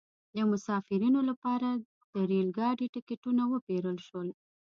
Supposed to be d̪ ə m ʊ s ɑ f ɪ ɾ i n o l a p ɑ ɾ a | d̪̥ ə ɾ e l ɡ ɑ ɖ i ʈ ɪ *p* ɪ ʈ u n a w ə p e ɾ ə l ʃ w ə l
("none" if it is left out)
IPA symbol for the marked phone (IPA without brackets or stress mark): k